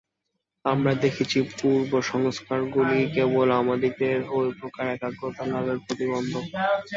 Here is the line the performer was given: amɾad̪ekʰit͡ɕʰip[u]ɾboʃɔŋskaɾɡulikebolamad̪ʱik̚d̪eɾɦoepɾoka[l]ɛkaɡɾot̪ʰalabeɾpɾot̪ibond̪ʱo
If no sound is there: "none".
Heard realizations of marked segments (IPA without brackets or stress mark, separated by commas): u, ɾ